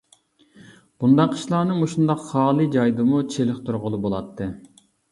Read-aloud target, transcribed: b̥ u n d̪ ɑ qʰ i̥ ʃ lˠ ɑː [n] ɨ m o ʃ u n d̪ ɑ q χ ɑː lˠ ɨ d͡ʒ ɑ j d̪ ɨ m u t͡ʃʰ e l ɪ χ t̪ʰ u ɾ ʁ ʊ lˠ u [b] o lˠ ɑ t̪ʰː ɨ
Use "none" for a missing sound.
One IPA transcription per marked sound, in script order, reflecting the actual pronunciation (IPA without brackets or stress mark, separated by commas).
n, b